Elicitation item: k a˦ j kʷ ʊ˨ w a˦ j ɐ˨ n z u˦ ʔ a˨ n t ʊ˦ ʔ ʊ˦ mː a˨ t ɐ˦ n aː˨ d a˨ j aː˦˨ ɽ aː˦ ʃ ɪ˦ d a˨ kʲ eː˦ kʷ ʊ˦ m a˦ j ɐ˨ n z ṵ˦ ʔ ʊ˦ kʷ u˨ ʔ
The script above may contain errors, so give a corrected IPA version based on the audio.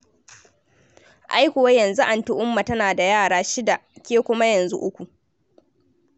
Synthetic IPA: ʔ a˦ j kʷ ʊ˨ w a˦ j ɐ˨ n z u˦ ʔ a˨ n t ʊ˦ ʔ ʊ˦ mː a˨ t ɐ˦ n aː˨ d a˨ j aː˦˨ ɽ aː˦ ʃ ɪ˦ d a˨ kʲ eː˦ kʷ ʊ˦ m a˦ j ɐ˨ n z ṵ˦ ʔ ʊ˦ kʷ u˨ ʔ